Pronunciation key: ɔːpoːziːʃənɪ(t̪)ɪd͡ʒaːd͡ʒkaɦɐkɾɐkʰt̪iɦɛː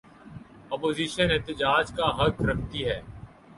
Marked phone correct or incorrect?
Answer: correct